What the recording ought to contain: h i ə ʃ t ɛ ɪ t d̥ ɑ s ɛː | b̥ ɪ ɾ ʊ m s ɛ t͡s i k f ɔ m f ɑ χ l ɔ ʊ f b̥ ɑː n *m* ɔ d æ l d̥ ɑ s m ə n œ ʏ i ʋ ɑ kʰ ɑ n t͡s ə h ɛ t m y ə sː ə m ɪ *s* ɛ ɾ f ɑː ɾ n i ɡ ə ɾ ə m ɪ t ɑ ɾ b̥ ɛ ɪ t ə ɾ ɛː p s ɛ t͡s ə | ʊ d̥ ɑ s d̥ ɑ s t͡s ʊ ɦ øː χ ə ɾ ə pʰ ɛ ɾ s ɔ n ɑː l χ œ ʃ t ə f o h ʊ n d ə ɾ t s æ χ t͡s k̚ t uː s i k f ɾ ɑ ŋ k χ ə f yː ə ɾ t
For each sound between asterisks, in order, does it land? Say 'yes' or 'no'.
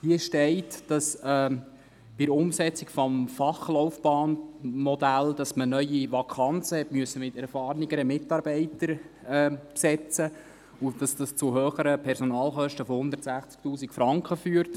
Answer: yes, no

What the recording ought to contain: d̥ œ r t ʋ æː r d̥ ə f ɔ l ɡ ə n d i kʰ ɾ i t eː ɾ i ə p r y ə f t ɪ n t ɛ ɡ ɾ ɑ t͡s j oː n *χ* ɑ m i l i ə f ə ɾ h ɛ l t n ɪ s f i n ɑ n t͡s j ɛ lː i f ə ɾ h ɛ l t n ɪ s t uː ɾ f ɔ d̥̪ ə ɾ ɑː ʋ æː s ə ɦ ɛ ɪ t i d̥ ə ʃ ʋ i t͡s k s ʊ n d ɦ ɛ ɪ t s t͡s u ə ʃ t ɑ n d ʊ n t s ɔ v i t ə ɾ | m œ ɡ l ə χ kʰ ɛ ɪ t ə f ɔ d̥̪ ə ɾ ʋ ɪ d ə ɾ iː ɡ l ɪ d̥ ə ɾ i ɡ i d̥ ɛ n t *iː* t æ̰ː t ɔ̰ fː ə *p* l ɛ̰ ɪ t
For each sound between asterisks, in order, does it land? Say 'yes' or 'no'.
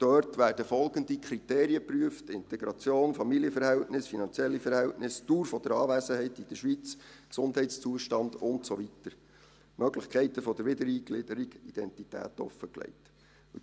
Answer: no, no, no

